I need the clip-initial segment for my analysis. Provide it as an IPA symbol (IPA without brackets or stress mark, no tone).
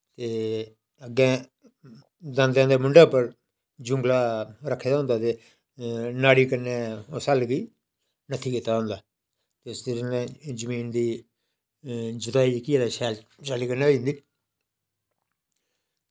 t̪